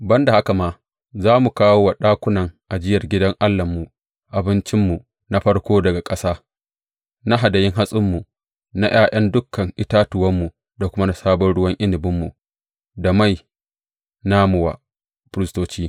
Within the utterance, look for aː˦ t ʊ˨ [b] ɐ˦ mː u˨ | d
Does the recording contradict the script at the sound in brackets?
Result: yes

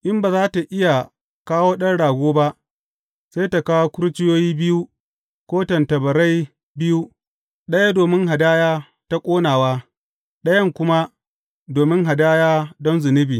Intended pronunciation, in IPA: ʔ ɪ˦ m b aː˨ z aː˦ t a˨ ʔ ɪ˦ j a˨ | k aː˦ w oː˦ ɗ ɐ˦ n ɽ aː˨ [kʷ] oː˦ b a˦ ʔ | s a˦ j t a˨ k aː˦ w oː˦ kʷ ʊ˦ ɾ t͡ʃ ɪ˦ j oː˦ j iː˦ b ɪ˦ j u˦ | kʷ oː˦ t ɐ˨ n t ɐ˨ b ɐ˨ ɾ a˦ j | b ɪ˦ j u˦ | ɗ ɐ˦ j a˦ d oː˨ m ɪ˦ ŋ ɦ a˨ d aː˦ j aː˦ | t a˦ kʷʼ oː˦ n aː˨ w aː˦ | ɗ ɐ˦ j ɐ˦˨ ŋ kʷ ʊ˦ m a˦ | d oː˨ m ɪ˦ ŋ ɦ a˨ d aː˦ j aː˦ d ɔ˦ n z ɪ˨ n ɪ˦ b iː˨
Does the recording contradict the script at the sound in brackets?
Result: yes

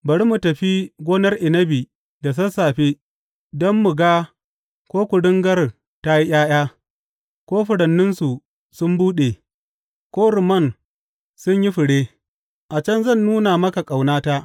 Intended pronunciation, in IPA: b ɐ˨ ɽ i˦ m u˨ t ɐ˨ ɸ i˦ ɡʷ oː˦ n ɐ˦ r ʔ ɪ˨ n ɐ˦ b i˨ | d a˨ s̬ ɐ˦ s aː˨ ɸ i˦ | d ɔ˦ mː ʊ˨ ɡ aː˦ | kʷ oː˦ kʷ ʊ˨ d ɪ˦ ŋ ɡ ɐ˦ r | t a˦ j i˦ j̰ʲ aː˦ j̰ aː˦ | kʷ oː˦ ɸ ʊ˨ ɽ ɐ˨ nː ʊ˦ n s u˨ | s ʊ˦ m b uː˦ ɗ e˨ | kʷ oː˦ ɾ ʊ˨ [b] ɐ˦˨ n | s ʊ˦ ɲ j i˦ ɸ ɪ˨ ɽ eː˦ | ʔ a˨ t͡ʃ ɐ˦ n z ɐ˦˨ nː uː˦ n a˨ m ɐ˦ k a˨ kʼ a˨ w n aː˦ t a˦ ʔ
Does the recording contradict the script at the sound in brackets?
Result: yes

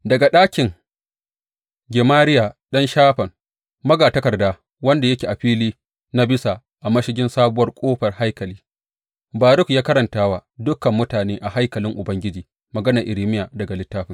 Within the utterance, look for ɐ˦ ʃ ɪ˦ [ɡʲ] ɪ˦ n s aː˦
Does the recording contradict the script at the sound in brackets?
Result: no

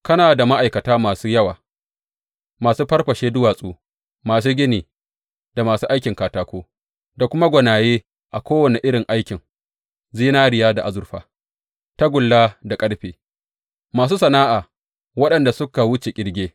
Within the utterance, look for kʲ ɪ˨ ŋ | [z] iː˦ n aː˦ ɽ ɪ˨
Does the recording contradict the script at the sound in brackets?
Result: no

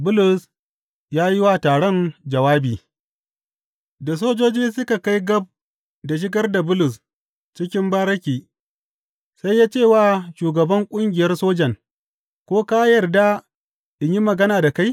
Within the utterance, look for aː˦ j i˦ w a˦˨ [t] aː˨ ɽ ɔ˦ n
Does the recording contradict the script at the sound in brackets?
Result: no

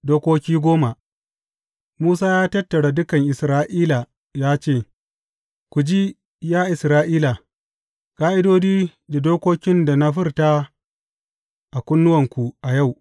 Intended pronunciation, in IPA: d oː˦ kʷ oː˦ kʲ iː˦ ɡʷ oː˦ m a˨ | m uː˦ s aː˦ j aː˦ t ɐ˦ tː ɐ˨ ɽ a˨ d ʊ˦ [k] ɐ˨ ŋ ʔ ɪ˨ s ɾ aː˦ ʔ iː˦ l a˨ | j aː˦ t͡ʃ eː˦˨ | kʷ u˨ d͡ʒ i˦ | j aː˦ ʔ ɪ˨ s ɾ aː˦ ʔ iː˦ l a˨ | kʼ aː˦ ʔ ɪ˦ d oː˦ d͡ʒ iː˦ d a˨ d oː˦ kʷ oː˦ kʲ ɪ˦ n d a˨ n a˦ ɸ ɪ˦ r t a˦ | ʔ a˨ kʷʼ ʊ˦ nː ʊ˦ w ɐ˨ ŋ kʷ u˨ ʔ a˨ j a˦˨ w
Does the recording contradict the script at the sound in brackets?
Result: no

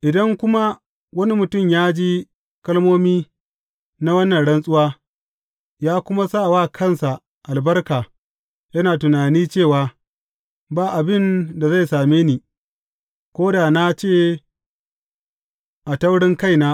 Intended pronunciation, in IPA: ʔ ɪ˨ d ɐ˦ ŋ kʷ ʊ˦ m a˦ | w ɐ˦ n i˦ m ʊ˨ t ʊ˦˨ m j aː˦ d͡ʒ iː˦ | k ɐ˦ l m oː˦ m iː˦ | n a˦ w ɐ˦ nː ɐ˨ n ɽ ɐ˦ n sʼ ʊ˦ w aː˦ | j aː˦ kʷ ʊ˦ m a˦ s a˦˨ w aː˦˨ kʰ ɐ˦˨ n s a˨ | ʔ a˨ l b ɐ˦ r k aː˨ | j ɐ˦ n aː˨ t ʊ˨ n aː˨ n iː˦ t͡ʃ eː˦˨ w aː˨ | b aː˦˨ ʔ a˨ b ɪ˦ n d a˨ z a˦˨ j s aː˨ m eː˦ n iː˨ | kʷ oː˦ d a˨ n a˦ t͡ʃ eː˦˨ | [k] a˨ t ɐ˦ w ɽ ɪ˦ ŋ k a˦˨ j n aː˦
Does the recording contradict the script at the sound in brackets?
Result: yes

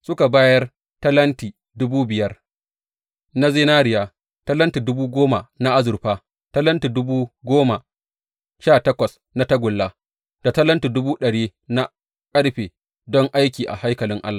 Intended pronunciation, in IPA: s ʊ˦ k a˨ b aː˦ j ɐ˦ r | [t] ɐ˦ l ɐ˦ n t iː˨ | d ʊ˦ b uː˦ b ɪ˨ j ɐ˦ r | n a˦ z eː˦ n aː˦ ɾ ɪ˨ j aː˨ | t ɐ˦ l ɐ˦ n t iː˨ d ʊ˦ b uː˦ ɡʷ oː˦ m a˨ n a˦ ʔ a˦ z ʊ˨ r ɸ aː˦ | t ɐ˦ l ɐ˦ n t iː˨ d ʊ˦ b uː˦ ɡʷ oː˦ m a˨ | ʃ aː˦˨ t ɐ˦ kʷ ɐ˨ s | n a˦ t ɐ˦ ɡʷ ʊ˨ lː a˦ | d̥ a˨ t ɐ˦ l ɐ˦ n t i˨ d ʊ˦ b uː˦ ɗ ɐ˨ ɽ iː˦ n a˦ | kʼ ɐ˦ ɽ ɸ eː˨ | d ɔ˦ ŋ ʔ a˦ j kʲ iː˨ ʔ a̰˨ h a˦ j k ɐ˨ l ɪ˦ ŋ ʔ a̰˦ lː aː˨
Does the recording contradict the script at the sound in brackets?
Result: no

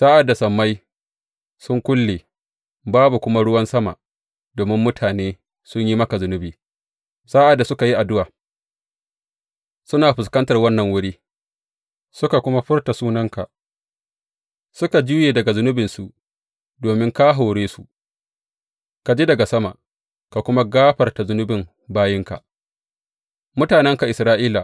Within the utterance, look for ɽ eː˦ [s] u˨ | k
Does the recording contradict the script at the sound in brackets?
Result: no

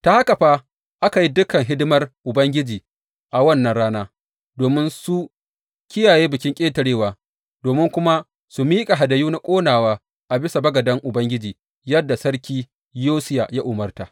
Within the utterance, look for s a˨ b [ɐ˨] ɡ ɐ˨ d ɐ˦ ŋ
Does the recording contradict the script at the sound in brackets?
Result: yes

